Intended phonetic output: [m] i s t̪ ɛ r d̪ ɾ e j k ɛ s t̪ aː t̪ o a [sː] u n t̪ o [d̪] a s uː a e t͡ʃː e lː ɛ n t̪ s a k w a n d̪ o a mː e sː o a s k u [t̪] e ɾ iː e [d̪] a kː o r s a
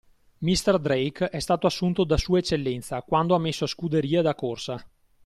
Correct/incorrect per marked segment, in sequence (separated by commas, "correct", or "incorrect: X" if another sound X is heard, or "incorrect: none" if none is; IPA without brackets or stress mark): correct, correct, correct, incorrect: d̪, correct